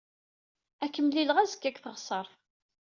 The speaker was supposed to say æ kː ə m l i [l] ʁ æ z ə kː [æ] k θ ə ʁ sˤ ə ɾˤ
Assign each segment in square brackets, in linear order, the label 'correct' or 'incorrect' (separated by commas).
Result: correct, correct